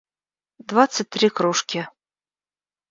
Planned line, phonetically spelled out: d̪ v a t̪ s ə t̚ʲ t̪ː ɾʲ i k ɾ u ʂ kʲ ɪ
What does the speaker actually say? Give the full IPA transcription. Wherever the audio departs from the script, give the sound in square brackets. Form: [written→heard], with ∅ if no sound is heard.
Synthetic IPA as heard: d̪ v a t̪ s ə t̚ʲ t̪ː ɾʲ i k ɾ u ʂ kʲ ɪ